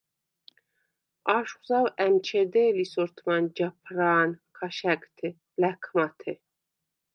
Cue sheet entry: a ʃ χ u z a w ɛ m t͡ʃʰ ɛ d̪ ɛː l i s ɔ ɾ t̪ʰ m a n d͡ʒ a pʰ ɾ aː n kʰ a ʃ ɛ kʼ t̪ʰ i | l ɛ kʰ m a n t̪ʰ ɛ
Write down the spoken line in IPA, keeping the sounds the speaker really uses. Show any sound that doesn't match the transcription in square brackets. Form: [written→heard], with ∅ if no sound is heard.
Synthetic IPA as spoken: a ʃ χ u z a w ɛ m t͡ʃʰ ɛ d̪ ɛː l i s ɔ ɾ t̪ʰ m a n d͡ʒ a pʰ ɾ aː n kʰ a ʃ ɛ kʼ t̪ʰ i | l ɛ kʰ m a [n→∅] t̪ʰ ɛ